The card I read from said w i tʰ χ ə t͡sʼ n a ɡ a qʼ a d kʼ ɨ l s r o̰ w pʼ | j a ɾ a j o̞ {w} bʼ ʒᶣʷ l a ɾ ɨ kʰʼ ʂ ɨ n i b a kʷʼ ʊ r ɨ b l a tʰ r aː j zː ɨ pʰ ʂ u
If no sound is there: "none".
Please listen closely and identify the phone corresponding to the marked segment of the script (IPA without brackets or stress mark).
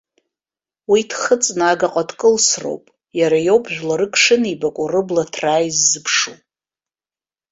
w